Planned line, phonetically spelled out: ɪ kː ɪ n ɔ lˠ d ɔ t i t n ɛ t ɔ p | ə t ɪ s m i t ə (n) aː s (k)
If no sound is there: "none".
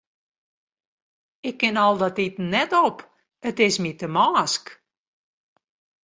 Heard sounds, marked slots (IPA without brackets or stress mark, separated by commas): m, k